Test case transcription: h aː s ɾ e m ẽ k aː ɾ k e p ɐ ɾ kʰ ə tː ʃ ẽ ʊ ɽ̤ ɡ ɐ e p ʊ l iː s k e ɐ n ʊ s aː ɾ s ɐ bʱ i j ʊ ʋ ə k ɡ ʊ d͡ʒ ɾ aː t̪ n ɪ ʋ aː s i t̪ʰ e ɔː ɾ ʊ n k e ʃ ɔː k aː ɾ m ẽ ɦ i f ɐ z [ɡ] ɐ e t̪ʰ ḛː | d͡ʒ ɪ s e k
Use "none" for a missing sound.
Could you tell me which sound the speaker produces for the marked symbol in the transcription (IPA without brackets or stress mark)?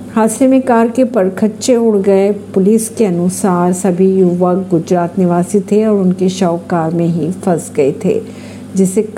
ɡ